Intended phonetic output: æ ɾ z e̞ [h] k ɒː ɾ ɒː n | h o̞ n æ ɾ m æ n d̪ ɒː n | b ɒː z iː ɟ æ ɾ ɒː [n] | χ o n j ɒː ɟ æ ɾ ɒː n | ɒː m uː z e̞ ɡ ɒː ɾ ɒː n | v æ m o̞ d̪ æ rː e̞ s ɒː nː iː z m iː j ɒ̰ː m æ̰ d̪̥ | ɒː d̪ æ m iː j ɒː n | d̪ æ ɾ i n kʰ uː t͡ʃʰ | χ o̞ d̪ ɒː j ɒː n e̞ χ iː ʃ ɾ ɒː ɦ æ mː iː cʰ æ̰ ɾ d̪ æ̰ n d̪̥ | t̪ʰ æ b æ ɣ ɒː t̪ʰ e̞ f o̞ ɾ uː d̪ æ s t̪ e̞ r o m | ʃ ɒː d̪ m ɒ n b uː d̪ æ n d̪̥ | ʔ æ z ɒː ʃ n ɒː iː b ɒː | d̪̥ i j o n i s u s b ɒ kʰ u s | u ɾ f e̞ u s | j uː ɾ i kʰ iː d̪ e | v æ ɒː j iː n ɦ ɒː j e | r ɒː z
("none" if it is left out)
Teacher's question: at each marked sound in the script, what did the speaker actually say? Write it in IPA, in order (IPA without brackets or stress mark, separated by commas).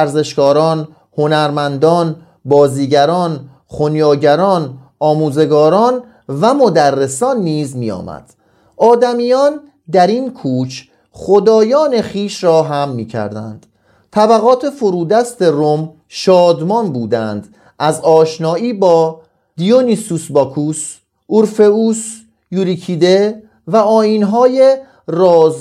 ʃ, n